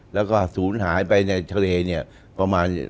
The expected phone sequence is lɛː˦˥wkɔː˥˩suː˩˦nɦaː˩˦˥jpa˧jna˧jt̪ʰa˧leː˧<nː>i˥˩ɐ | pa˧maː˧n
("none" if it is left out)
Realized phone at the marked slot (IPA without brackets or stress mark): n